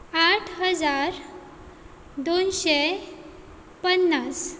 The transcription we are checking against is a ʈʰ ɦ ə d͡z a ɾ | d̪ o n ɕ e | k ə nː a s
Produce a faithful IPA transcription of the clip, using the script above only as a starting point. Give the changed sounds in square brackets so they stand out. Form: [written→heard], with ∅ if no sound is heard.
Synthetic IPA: a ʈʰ ɦ ə d͡z a ɾ | d̪ o n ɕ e | [k→p] ə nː a s